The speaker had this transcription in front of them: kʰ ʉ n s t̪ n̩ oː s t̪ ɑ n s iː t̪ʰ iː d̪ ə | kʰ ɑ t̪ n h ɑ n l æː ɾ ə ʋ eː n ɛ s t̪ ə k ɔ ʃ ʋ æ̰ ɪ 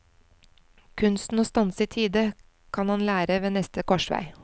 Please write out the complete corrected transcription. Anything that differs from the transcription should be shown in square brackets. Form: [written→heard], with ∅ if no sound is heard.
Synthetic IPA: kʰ ʉ n s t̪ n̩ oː s t̪ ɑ n s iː t̪ʰ iː d̪ ə | kʰ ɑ [t̪→∅] n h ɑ n l æː ɾ ə ʋ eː n ɛ s t̪ ə k ɔ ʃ ʋ æ̰ ɪ